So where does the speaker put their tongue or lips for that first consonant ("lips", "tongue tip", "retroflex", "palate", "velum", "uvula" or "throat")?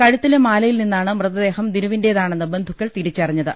velum